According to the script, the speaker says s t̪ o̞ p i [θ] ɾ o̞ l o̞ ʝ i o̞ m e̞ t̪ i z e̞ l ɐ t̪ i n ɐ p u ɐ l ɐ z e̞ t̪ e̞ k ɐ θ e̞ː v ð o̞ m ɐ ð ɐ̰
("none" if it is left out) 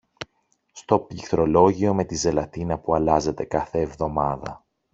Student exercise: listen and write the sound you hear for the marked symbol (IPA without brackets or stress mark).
θ